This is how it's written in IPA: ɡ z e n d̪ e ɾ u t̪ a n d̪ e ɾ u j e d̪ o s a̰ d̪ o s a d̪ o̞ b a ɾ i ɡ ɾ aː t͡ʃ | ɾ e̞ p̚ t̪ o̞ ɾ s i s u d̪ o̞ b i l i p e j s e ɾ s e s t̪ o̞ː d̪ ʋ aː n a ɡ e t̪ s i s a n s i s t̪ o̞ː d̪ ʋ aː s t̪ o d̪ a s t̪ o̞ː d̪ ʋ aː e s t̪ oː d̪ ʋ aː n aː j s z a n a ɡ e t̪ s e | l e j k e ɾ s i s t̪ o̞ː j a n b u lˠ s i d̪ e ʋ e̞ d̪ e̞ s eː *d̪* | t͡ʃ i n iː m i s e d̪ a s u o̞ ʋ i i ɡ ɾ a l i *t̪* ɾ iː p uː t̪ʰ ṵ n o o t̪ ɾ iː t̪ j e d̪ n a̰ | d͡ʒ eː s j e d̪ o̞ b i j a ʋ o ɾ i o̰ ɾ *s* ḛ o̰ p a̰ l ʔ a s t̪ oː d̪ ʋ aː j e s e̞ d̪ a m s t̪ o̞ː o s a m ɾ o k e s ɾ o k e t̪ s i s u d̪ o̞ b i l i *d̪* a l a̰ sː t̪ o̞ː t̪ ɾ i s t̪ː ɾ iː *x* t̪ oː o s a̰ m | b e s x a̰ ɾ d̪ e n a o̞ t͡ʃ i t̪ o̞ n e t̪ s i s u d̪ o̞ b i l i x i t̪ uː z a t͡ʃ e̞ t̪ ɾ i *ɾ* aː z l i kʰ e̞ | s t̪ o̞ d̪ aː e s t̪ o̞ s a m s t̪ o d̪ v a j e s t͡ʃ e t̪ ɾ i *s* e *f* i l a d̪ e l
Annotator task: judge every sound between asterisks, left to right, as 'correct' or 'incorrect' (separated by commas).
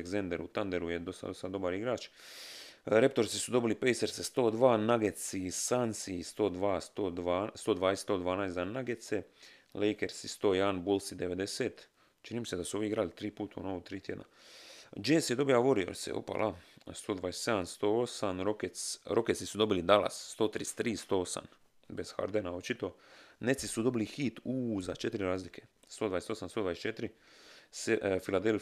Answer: incorrect, correct, correct, correct, incorrect, correct, correct, correct